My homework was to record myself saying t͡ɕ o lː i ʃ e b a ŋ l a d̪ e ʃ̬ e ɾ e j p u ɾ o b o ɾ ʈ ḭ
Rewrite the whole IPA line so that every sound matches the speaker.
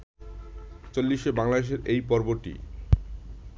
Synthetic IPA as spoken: t͡ɕ o lː i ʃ e b a ŋ l a d̪ e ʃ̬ e ɾ e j p ɔ ɾ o b o ɾ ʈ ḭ

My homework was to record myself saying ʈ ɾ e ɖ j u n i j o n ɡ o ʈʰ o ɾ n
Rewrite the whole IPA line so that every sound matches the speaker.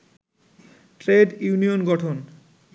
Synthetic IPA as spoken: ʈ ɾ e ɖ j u n i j o n ɡ ɔ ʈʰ o n

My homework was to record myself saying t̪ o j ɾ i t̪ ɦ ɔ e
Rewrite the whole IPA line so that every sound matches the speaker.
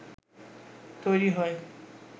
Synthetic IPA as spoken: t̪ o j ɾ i ɦ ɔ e

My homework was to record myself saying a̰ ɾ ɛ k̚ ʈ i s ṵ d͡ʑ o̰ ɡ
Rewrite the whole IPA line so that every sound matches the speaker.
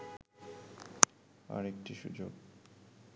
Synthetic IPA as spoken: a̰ ɾ e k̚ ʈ i ʃ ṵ d͡ʑ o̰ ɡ

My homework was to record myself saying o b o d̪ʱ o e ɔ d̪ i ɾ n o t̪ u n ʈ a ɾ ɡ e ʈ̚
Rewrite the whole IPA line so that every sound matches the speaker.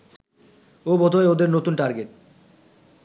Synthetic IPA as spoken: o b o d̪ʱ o e o d̪ e ɾ n o t̪ u n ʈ a ɾ ɡ e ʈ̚

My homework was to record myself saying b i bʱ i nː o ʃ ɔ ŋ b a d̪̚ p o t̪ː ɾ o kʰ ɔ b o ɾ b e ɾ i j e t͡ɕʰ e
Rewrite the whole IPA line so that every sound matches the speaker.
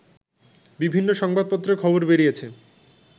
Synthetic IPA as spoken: b i bʱ i nː o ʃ ɔ ŋ b a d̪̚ p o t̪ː ɾ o kʰ ɔ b o ɾ b e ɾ i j e t͡ɕʰ e

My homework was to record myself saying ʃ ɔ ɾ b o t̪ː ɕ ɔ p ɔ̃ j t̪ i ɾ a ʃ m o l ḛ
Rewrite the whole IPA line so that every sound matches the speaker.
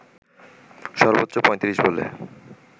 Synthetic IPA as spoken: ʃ ɔ ɾ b o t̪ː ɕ o p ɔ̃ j t̪ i ɾ i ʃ b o l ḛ

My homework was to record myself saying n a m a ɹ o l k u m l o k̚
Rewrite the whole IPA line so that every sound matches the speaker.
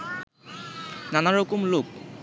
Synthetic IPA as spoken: n a n a ɹ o k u m l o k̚

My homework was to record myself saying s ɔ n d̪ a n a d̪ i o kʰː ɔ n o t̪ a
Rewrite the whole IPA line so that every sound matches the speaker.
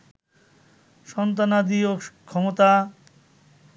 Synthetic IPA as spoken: ʃ ɔ n t̪ a n a d̪ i o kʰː ɔ m o t̪ a

